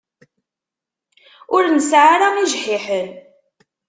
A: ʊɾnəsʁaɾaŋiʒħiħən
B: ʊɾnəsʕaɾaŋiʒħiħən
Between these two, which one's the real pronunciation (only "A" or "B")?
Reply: B